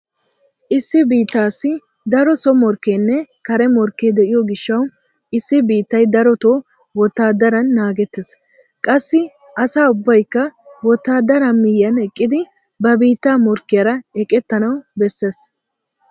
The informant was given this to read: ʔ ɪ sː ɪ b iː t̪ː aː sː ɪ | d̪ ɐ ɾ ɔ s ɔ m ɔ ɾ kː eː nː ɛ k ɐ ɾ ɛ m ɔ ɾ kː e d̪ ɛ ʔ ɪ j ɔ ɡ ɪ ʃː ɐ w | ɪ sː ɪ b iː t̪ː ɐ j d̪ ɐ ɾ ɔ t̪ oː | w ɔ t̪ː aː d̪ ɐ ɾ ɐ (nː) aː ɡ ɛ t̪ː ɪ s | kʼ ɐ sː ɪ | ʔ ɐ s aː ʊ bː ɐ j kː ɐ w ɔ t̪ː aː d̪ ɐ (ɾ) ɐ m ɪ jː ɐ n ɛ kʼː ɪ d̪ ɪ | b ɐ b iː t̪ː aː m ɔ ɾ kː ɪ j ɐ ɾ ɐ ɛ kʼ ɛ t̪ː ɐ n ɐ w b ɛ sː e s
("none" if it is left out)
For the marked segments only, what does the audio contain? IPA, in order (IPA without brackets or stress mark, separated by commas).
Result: nː, ɾ